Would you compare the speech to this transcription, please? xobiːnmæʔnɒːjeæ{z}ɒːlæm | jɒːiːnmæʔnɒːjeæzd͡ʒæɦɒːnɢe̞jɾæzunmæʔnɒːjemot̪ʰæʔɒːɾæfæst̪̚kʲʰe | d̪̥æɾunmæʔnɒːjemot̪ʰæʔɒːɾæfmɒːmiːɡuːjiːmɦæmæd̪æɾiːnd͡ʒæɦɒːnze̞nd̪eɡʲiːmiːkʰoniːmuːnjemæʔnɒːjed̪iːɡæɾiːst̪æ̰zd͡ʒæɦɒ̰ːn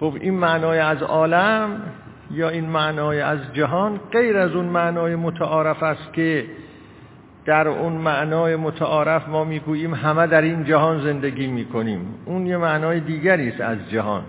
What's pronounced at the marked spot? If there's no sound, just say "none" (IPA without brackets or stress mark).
z